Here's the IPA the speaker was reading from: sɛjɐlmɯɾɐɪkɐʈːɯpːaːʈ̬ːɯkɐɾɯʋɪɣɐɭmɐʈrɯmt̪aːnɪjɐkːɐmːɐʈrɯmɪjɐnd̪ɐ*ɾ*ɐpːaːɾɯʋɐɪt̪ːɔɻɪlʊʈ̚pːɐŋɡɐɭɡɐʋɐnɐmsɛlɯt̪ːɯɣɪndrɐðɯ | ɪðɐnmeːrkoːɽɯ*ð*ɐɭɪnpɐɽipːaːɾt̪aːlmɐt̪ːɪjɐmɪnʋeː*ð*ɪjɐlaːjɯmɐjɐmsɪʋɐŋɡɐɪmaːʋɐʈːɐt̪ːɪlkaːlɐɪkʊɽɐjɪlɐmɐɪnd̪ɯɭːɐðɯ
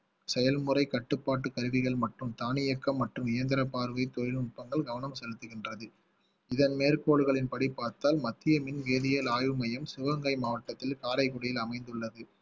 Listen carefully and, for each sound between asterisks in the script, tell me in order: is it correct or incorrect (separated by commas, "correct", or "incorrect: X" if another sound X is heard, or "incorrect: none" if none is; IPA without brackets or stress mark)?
correct, incorrect: ɣ, correct